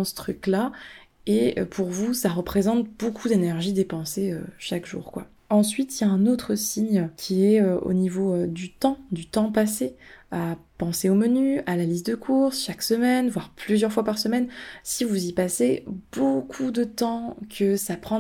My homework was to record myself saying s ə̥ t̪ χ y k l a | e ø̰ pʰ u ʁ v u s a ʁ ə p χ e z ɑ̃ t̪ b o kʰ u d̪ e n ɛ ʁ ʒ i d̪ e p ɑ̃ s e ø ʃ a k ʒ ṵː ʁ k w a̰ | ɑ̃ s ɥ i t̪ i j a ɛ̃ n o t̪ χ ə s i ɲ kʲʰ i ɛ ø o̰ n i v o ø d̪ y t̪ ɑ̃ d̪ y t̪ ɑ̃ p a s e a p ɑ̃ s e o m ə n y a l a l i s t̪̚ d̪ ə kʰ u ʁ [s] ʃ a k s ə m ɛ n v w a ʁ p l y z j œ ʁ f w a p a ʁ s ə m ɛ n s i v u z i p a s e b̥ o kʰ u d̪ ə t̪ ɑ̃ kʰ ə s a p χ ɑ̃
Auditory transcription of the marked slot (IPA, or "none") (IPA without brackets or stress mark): s